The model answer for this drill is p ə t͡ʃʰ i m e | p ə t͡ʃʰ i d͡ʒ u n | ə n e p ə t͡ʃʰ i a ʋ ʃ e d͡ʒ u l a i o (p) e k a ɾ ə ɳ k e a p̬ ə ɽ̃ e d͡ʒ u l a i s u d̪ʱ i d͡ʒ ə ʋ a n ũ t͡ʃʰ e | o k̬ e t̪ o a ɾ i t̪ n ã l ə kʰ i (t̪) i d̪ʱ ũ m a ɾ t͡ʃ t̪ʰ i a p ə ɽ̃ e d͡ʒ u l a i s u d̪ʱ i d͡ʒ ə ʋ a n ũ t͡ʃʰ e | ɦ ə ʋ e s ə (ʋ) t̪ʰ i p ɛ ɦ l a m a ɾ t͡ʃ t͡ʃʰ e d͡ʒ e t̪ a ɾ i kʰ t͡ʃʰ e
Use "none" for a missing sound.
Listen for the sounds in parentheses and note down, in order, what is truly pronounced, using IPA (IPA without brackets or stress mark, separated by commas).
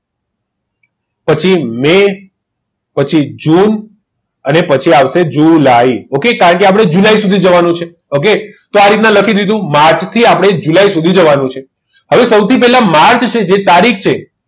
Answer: k, d̪, w